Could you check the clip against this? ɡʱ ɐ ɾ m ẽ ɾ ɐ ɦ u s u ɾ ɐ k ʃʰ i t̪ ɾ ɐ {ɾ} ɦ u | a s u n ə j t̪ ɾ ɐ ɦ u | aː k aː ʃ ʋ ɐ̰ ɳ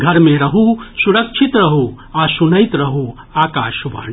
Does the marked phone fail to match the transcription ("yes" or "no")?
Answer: yes